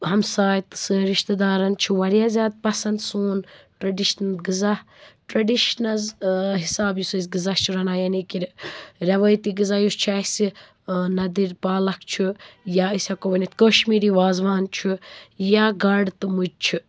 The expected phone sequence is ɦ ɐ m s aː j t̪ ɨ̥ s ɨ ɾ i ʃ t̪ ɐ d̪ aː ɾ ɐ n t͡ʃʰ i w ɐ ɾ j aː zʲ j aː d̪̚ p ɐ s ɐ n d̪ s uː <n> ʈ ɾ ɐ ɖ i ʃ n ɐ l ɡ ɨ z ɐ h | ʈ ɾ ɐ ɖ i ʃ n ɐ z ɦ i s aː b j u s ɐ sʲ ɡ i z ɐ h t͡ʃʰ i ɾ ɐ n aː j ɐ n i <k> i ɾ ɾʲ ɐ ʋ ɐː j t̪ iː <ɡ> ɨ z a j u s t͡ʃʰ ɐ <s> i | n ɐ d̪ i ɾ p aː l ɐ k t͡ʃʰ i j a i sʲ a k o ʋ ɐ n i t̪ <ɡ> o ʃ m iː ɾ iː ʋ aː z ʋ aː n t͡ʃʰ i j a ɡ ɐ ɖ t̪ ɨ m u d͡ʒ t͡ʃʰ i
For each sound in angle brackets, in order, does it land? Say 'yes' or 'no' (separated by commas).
yes, yes, yes, yes, no